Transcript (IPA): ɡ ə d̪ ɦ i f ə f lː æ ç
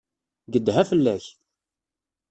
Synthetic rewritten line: ɡ ə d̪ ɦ æ f ə lː æ ç